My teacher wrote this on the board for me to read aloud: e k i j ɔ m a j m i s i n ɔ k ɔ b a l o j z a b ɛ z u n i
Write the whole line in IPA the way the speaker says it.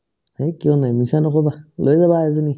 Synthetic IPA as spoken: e k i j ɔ n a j m i s a n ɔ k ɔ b a l o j z a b a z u n i